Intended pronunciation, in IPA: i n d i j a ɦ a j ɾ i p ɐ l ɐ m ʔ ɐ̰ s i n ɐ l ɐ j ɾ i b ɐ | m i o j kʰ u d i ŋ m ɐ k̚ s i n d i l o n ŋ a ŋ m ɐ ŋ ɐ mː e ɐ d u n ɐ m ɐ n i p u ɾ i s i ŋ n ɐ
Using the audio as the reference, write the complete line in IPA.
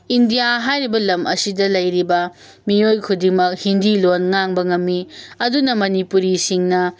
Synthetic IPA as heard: i n d i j a ɦ a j ɾ i b ɐ l ɐ m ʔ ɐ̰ s i d ɐ l ɐ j ɾ i b ɐ | m i o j kʰ u d i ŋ m ɐ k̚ h i n d i l o n ŋ a ŋ b ɐ ŋ ɐ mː i ɐ d u n ɐ m ɐ n i p u ɾ i s i ŋ n ɐ

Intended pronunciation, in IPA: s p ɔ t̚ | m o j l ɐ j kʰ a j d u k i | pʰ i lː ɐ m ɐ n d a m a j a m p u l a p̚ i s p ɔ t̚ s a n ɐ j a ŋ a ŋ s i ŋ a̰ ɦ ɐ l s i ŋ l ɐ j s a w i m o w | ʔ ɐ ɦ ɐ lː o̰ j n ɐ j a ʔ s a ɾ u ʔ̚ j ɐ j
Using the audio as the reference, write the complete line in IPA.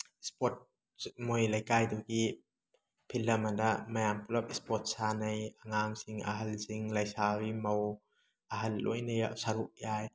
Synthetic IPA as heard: s p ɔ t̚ | m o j l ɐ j k a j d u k i | pʰ i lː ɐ m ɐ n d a m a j a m p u l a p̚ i s p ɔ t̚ s a n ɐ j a ŋ a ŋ s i ŋ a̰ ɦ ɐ l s i ŋ l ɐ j s a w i m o w | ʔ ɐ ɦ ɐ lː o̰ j n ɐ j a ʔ s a ɾ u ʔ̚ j a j

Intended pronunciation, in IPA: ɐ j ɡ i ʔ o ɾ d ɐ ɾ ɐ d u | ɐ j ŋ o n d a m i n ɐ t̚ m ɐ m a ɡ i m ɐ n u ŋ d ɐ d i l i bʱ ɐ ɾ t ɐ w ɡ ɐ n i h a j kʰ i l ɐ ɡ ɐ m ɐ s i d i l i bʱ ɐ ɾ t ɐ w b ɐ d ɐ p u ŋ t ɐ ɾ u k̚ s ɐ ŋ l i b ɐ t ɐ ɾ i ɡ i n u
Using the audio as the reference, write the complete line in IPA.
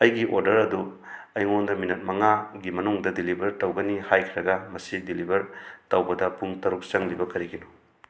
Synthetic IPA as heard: ɐ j ɡ i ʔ o ɾ d ɐ ɾ ɐ d u | ɐ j ŋ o n d ɐ m i n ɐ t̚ m ɐ ŋ a ɡ i m ɐ n u ŋ d ɐ d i l i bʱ ɐ ɾ t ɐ w ɡ ɐ n i h a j kʰ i ɾ ɐ ɡ ɐ m ɐ s i d i l i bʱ ɐ ɾ t ɐ w b ɐ d ɐ p u ŋ t ɐ ɾ u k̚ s ɐ ŋ l i b ɐ k ɐ ɾ i ɡ i n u

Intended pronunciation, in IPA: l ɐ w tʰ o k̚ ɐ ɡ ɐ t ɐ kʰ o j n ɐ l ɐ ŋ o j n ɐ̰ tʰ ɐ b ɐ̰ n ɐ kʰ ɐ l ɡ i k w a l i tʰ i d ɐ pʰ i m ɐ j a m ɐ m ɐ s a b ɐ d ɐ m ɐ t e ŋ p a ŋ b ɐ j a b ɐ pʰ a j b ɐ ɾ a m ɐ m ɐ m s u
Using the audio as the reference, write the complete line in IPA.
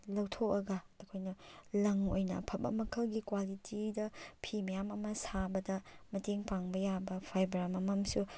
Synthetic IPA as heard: l ɐ w tʰ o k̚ ɐ ɡ ɐ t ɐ kʰ o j n ɐ l ɐ ŋ o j n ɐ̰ pʰ ɐ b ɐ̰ m ɐ kʰ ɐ l ɡ i k w a l i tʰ i d ɐ pʰ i m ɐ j a m ɐ m ɐ s a b ɐ d ɐ m ɐ t e ŋ p a ŋ b ɐ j a b ɐ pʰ a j b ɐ ɾ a m ɐ m ɐ m s u

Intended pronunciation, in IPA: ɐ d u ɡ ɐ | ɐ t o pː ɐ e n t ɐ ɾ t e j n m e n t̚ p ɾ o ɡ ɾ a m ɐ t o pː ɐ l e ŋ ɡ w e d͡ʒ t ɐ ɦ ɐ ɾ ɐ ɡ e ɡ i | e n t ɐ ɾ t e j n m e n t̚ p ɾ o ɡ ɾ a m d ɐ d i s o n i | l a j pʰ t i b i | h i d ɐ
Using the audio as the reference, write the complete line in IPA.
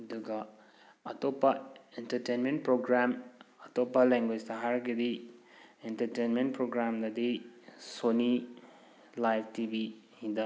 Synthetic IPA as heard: ɐ d u ɡ ɐ | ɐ t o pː ɐ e n t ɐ ɾ t e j n m e n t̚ p ɾ o ɡ ɾ a m ɐ t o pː ɐ l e ŋ ɡ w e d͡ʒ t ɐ ɦ a ɾ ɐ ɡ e d i | e n t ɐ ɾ t e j n m e n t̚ p ɾ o ɡ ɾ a m d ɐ d i s o n i | l a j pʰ t i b i | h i d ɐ

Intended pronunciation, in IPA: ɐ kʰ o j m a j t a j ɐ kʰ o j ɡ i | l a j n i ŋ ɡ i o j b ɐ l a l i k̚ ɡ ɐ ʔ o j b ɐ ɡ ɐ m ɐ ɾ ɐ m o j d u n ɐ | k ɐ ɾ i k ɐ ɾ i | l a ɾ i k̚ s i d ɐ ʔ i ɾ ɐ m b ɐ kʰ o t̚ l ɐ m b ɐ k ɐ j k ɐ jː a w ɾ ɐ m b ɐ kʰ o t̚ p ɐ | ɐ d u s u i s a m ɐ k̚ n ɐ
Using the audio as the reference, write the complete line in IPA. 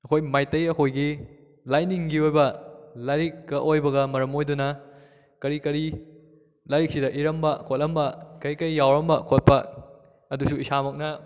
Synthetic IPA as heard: ɐ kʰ o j m a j t ɐ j ɐ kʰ o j ɡ i | l a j n i ŋ ɡ i o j b ɐ l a ɾ i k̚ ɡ ɐ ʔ o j b ɐ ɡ ɐ m ɐ ɾ ɐ m o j d u n ɐ | k ɐ ɾ i k ɐ ɾ i | l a ɾ i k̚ s i d ɐ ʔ i ɾ ɐ m b ɐ kʰ o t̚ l ɐ m b ɐ k ɐ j k ɐ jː a w ɾ ɐ m b ɐ kʰ o t̚ p ɐ | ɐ d u s u i s a m ɐ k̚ n ɐ

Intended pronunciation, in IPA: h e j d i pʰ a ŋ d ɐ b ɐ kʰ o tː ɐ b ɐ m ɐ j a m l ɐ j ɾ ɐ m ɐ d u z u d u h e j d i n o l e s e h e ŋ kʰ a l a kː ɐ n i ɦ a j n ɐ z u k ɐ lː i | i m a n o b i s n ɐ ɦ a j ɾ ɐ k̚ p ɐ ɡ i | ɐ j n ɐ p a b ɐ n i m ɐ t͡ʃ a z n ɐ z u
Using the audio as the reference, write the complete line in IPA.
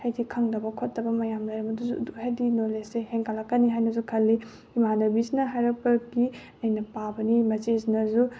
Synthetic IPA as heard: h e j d i kʰ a ŋ d ɐ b ɐ kʰ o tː ɐ b ɐ m ɐ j a m l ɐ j ɾ ɐ m ɐ d u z u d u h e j d i n o l e s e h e ŋ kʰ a l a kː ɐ n i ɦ a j n ɐ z u kʰ ɐ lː i | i m a n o b i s n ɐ ɦ a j ɾ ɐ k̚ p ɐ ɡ i | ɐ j n ɐ p a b ɐ n i m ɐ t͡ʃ e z n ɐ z u

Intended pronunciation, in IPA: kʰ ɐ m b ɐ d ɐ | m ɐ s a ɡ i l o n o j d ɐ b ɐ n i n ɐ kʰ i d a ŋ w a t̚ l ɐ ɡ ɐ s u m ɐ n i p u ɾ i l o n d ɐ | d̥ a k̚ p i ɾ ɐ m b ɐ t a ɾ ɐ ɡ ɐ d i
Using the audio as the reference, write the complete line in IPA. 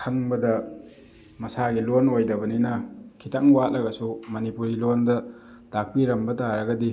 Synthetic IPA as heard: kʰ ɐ ŋ b ɐ d ɐ | m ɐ s a ɡ i l o n o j d ɐ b ɐ n i n ɐ kʰ i t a ŋ w a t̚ l ɐ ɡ ɐ s u m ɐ n i p u ɾ i l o n d ɐ | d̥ a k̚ p i ɾ ɐ m b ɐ t a ɾ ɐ ɡ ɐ d i

